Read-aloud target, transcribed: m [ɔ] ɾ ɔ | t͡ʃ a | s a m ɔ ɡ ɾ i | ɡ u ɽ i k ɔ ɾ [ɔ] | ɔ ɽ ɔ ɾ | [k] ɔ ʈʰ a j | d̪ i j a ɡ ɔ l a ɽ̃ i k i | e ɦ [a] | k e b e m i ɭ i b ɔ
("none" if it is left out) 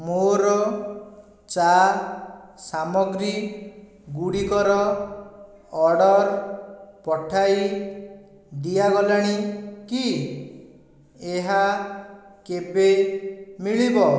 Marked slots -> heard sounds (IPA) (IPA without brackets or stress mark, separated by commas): o, ɔ, p, a